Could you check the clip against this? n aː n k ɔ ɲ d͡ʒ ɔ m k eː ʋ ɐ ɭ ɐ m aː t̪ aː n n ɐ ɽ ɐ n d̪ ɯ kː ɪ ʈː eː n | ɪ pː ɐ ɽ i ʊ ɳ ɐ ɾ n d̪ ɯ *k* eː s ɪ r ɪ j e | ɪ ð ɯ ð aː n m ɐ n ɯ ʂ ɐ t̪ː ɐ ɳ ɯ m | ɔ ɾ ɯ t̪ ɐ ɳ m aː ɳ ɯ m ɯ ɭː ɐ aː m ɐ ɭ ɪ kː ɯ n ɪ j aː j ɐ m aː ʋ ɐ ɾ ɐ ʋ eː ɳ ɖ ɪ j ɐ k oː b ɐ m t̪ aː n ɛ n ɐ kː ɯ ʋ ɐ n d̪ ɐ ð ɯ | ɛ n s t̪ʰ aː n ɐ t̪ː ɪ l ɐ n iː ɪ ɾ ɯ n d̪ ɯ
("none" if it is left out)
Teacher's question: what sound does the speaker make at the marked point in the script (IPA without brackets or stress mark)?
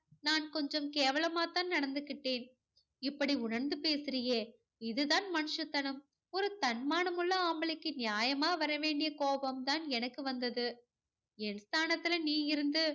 p